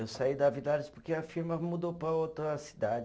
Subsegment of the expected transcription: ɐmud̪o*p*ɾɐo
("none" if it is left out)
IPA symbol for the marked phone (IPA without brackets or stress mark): p